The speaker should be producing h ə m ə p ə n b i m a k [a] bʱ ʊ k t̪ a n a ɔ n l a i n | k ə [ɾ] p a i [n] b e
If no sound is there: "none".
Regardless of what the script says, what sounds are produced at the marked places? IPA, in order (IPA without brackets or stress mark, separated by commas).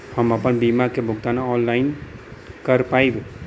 e, ɾ, none